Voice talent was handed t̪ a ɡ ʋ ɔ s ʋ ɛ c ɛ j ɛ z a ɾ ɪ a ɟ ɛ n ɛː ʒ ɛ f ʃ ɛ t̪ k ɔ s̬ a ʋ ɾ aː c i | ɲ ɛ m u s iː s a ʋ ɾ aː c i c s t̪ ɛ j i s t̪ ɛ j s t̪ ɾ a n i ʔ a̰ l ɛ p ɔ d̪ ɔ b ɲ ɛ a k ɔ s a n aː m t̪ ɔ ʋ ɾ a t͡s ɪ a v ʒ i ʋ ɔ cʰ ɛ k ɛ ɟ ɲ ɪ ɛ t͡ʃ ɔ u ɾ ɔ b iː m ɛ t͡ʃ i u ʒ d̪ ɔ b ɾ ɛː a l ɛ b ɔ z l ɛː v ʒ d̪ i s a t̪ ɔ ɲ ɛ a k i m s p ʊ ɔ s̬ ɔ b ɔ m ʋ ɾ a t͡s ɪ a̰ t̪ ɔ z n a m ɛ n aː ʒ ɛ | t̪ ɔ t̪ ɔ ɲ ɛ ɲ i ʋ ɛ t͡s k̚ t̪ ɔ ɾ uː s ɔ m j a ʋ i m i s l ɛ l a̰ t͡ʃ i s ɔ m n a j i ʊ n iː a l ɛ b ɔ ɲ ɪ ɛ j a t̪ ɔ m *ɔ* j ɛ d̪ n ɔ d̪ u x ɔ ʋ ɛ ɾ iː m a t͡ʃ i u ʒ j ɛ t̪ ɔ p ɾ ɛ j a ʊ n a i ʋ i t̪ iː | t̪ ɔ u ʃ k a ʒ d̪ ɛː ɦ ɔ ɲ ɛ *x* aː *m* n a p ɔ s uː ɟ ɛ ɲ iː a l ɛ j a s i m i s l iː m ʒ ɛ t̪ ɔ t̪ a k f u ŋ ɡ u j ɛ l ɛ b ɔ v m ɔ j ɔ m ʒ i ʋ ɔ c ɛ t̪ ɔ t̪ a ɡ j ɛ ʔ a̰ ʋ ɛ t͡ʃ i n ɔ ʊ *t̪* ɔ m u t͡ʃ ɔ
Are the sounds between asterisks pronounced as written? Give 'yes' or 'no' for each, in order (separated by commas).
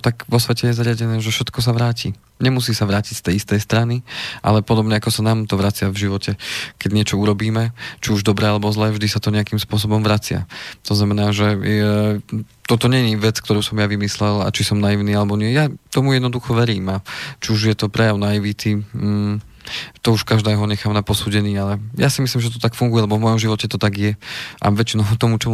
no, yes, yes, yes